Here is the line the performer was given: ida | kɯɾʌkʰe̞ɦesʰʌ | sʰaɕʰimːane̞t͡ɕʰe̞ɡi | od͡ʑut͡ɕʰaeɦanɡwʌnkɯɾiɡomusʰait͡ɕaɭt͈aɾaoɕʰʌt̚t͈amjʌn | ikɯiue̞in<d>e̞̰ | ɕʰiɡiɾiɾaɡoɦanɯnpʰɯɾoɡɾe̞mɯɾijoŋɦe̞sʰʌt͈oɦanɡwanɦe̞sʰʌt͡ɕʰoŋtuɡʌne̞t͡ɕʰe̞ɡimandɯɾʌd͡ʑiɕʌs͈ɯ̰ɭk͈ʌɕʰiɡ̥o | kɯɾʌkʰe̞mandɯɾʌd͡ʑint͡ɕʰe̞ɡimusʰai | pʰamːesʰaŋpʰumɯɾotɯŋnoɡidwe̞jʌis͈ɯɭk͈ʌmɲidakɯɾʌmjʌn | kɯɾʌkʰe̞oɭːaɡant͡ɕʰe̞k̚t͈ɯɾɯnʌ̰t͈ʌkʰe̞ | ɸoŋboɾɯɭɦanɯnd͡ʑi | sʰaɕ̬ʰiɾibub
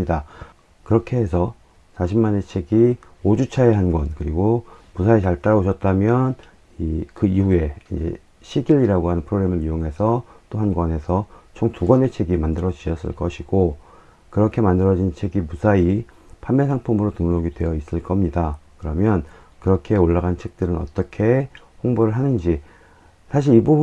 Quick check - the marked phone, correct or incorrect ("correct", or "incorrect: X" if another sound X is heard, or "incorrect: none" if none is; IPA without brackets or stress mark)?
incorrect: d͡ʑ